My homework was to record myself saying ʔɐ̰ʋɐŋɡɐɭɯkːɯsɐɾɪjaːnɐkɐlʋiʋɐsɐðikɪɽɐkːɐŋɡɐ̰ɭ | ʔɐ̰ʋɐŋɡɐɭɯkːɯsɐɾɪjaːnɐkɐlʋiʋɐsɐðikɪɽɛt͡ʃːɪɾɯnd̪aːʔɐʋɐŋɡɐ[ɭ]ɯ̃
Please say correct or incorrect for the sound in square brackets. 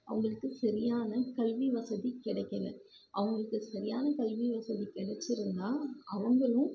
correct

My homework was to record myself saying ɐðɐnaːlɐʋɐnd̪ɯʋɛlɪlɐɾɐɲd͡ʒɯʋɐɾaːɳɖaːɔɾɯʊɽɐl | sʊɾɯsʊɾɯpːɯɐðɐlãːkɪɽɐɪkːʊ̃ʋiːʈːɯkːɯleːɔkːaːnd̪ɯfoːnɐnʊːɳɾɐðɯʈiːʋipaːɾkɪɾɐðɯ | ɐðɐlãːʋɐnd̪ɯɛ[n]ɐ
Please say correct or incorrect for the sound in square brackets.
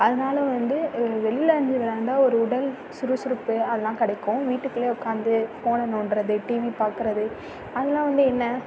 incorrect: nː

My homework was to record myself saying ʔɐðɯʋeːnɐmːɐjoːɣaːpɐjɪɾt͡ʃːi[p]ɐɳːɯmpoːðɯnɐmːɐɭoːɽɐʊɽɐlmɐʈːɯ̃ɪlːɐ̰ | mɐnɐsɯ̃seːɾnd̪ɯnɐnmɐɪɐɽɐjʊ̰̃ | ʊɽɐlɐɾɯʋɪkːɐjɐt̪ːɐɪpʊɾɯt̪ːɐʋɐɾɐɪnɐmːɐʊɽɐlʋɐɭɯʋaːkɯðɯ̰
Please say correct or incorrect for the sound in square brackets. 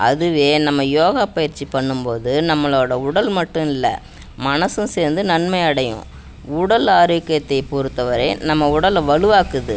correct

